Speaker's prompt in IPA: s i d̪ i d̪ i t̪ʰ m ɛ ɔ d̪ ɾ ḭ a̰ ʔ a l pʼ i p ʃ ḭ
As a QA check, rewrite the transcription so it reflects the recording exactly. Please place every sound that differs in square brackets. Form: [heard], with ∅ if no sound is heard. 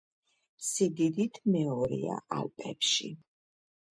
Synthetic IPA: s i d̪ i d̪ i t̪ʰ m ɛ ɔ [∅] ɾ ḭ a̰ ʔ a l pʼ [ɛ] p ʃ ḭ